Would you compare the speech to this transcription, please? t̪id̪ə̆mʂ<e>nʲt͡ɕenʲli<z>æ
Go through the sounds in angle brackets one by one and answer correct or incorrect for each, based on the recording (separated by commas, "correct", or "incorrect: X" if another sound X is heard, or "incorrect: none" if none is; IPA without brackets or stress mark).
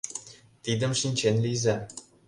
incorrect: i, correct